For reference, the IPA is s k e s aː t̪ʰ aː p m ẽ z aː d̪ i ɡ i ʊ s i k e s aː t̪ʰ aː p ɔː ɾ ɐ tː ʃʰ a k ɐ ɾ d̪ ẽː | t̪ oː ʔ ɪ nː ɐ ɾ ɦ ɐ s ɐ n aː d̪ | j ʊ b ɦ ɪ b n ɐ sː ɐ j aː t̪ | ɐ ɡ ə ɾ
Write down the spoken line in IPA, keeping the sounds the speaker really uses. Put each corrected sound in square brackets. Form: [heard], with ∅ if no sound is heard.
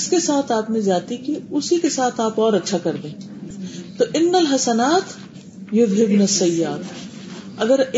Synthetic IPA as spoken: s k e s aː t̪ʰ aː p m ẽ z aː [t̪] i [k] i ʊ s i k e s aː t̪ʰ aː p ɔː ɾ ɐ tː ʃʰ a k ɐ ɾ d̪ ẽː | t̪ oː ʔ ɪ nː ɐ [l] ɦ ɐ s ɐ n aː [t̪] | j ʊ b ɦ ɪ b n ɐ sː ɐ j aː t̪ | ɐ ɡ ə ɾ